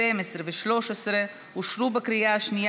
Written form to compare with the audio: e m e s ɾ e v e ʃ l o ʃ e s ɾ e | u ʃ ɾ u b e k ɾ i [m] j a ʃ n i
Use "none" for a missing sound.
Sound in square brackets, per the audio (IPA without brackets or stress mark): none